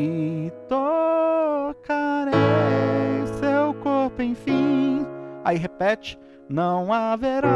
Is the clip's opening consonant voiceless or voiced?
voiceless